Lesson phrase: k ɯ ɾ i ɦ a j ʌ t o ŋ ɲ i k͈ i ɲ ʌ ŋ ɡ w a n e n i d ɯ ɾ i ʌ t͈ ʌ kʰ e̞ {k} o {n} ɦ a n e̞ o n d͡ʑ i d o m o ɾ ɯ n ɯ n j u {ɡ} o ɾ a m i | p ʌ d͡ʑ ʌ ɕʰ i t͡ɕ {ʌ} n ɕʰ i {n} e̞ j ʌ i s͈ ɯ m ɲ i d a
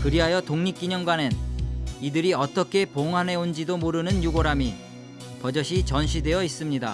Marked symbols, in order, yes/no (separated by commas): no, no, yes, yes, no